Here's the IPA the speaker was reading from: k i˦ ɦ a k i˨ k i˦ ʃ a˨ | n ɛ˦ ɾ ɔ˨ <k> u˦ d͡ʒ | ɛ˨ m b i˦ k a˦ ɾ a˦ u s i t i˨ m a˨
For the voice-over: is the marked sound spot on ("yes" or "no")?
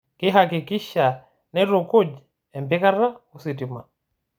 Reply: yes